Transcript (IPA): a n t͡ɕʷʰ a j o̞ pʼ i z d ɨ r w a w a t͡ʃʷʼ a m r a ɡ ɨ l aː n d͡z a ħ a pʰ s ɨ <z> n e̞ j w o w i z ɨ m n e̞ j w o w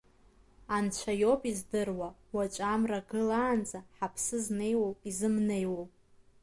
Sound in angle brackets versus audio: correct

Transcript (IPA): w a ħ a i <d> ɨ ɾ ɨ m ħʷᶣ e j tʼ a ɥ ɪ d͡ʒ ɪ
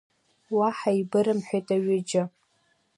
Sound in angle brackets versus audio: incorrect: b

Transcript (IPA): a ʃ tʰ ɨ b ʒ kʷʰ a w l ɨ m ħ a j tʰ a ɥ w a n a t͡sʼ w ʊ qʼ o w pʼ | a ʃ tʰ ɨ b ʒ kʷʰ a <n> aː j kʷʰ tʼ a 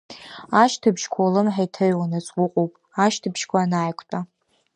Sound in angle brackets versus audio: correct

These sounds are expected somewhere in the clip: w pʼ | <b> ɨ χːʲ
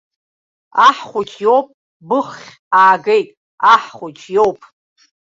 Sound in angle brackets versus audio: correct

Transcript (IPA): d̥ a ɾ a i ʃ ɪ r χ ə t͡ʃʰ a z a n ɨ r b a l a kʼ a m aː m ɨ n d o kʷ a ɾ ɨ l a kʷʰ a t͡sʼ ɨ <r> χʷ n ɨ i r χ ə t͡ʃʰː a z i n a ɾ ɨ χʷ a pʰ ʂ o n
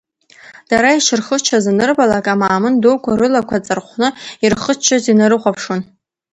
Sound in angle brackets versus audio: correct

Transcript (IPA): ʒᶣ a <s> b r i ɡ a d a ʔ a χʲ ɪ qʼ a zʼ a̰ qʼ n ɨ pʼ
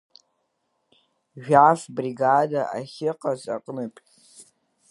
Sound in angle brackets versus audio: incorrect: f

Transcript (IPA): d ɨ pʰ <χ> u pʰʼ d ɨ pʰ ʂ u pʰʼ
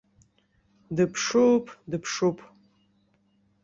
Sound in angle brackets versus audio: incorrect: ʂ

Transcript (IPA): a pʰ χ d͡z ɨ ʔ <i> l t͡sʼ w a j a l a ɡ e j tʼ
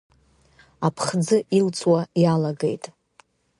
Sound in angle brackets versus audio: correct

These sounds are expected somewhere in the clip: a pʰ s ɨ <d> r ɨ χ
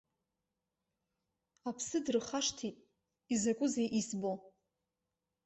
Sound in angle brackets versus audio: correct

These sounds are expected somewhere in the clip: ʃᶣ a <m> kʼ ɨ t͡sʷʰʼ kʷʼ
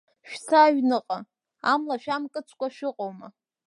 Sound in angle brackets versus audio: correct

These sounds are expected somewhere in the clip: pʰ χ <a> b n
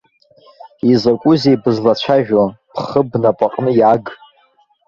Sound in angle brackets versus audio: incorrect: ə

